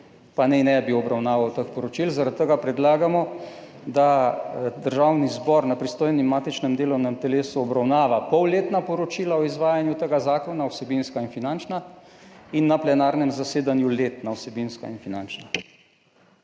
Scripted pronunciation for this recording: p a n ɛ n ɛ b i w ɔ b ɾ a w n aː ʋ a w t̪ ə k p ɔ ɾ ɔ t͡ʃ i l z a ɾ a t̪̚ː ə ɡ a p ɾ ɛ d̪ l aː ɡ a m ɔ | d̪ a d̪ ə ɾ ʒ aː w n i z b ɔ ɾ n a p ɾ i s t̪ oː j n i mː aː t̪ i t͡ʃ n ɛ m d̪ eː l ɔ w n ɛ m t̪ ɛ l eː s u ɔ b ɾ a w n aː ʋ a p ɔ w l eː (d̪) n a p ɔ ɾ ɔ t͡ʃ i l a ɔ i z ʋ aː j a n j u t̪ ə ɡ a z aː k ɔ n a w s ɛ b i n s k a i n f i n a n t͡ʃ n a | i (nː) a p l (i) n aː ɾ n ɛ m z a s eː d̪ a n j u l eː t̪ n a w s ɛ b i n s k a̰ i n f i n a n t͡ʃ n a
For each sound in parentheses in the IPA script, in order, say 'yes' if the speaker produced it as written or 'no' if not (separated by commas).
no, yes, no